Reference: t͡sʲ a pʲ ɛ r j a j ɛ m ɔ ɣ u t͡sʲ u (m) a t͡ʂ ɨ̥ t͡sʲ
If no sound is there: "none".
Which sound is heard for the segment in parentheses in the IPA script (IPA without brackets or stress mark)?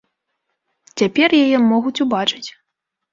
b